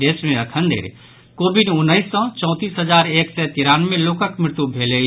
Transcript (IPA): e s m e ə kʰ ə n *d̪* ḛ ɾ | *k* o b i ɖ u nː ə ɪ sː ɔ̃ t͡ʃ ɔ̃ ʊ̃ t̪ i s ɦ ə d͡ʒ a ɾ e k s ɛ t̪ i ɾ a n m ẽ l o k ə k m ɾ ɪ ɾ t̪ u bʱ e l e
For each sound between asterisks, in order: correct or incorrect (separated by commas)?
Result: correct, correct